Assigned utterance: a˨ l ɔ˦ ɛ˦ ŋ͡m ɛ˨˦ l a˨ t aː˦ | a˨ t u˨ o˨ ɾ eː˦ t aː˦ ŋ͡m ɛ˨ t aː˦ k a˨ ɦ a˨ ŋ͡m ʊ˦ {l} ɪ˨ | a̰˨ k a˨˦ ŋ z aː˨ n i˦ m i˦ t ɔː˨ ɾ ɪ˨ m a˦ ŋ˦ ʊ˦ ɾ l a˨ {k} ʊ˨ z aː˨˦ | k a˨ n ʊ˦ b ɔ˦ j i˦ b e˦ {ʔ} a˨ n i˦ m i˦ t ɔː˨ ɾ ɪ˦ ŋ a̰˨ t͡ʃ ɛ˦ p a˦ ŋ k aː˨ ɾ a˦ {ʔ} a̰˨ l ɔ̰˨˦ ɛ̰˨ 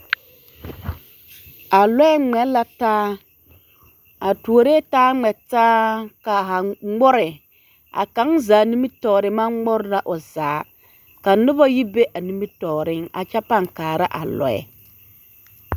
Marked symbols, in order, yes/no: no, no, yes, yes

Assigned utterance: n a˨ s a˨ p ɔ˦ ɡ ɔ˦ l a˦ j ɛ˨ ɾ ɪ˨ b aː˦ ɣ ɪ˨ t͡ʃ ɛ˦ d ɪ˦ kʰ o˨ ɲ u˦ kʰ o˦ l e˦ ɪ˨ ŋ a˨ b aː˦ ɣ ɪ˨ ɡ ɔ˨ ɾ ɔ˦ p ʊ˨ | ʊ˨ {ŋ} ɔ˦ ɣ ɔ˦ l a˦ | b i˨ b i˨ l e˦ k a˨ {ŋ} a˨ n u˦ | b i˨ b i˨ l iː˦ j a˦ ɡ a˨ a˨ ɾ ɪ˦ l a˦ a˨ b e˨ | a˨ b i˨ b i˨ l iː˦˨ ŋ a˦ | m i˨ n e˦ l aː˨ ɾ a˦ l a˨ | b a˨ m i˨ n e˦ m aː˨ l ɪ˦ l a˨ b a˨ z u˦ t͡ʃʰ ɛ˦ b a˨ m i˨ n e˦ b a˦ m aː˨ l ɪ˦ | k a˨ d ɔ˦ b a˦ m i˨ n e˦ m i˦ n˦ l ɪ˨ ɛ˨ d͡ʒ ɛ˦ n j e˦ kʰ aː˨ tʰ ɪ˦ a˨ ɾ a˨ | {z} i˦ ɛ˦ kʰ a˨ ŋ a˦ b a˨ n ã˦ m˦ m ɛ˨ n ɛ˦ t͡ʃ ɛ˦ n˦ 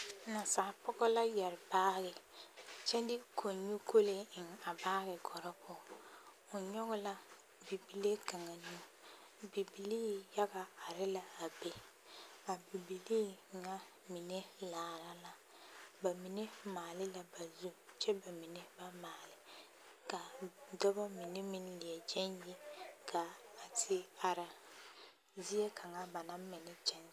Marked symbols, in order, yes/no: no, yes, yes

